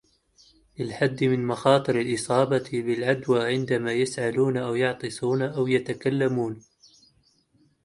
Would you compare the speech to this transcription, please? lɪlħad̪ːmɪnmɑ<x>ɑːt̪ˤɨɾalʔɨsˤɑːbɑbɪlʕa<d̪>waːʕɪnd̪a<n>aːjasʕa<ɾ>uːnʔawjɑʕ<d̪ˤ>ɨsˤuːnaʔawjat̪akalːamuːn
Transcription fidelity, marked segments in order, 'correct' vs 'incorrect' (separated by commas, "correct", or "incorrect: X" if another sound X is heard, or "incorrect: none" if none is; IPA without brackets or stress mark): correct, correct, incorrect: m, incorrect: l, incorrect: t̪ˤ